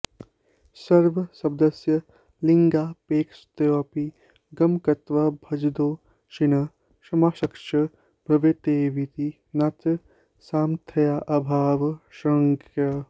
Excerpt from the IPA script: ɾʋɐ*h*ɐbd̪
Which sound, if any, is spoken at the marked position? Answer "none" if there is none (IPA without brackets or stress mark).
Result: s